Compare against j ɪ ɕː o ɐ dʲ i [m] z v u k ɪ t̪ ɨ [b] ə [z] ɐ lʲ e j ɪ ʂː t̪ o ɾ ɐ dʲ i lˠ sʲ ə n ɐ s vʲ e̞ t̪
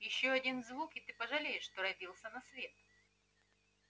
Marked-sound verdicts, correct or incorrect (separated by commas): incorrect, incorrect, incorrect